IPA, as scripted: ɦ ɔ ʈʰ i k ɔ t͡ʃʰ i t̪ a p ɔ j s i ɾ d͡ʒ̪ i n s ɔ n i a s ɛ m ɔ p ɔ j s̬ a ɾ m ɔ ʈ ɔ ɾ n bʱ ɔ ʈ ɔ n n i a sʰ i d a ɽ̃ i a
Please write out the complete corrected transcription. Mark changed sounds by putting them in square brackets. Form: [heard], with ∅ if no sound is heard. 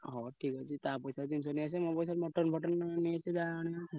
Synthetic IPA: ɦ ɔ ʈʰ i k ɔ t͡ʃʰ i t̪ a p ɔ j s [a] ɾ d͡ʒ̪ i n s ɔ n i a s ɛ m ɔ p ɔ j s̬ a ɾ m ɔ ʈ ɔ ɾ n bʱ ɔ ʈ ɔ n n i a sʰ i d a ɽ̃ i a